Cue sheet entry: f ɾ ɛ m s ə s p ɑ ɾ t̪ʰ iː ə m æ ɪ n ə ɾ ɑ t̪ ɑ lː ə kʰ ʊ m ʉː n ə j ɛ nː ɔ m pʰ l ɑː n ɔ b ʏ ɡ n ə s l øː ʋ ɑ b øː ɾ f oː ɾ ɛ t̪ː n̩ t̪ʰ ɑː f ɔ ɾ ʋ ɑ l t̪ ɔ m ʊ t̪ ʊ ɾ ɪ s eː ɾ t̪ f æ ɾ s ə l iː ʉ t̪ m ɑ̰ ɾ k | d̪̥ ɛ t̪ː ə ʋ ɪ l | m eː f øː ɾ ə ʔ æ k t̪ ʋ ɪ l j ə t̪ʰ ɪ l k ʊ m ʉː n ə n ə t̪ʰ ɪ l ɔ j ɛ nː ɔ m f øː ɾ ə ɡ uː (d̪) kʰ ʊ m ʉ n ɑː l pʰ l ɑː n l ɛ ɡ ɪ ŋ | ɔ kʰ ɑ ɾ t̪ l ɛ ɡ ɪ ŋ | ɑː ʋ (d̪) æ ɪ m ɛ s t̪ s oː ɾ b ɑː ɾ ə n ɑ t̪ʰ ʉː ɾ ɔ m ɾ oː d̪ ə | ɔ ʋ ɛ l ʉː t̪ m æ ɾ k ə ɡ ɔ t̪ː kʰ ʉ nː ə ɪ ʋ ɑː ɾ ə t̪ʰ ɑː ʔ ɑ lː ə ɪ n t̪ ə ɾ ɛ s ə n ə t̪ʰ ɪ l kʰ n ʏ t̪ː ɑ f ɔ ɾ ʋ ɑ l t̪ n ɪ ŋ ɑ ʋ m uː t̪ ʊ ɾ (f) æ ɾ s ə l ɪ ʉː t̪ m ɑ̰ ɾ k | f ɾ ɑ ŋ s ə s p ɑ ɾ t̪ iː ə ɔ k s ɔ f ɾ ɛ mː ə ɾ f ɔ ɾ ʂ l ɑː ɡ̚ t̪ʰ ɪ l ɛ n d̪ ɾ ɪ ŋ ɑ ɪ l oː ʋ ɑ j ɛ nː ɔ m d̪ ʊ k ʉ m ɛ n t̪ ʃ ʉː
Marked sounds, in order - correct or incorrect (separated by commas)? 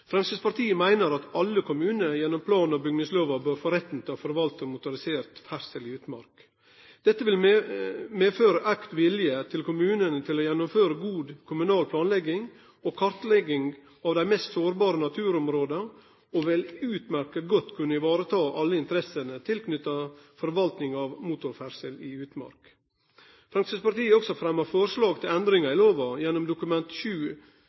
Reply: correct, correct, correct